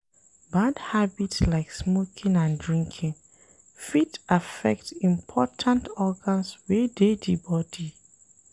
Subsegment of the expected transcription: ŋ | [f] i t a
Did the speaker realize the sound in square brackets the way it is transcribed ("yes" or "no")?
yes